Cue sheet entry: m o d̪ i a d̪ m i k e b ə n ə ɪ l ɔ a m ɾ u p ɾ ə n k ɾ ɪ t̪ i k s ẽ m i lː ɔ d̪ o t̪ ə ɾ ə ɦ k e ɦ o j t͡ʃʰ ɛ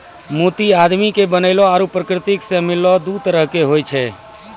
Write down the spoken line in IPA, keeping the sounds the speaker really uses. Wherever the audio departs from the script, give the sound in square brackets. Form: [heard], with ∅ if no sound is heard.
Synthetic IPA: m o [t̪] i a d̪ m i k e b ə n ə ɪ l ɔ a [∅] ɾ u p ɾ ə [∅] k ɾ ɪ t̪ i k s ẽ m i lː ɔ d̪ [u] t̪ ə ɾ ə ɦ k e ɦ o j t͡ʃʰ ɛ